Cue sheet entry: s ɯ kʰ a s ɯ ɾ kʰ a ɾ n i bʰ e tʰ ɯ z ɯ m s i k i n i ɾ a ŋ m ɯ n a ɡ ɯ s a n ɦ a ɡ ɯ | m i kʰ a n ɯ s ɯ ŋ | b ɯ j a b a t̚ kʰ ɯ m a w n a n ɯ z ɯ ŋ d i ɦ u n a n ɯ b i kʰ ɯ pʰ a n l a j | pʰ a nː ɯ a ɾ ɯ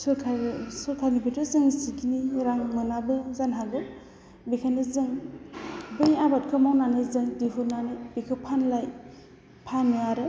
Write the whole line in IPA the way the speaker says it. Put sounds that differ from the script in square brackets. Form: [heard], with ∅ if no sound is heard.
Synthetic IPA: s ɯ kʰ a s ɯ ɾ kʰ a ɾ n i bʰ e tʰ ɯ z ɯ [ŋ] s i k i n i ɾ a ŋ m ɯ n a [b] ɯ [z] a n ɦ a ɡ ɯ | [b] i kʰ a n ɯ [z] ɯ ŋ | b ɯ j a b a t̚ kʰ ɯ m a w n a n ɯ z ɯ ŋ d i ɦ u n a n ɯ b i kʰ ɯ pʰ a n l a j | pʰ a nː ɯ a ɾ ɯ